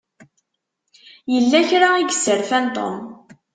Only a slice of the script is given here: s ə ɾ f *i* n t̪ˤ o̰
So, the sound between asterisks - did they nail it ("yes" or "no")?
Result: no